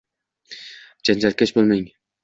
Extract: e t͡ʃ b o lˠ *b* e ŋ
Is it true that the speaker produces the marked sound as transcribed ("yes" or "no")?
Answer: no